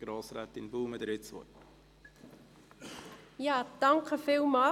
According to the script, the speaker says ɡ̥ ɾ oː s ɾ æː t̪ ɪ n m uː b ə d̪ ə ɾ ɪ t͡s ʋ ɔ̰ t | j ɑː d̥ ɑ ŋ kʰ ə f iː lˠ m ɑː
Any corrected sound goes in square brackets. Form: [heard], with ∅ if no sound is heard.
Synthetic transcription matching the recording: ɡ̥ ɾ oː s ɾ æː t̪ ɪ n [b] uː [m] ə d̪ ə ɾ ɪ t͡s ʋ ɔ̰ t | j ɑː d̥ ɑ ŋ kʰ ə f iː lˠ m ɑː